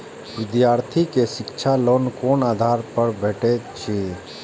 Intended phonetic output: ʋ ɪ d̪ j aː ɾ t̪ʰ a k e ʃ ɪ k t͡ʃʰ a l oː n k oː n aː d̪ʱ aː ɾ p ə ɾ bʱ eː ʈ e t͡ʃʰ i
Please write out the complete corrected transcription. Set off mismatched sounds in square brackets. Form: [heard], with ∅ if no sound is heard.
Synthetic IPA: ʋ ɪ d̪ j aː ɾ t̪ʰ [i] k e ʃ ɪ k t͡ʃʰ a l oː n k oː n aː d̪ʱ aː ɾ p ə ɾ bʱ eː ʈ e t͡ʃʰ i